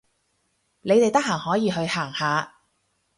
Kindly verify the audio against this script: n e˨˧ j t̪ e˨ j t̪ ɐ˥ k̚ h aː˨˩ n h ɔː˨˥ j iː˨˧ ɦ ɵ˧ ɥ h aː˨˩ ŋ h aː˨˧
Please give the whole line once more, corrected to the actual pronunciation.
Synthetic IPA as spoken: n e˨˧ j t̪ e˨ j t̪ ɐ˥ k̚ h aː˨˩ ŋ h ɔː˨˥ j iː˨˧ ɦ ɵ˧ ɥ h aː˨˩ ŋ h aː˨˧